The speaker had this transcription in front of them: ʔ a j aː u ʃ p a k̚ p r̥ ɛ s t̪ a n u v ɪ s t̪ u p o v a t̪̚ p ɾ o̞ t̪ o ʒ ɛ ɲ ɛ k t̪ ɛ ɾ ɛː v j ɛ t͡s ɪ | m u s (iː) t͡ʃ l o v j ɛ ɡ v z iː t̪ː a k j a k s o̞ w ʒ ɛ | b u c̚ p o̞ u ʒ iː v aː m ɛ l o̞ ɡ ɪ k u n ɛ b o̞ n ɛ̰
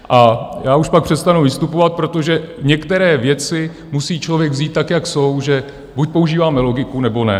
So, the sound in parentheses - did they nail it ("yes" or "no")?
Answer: yes